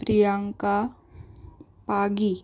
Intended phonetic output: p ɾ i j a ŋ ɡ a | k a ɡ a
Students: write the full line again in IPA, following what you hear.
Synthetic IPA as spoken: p ɾ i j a ŋ k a | p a ɡ i